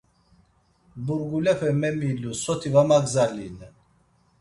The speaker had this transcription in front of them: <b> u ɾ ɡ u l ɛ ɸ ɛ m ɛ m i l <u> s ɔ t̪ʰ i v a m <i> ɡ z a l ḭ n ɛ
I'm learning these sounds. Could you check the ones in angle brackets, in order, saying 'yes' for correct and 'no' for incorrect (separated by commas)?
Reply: yes, yes, no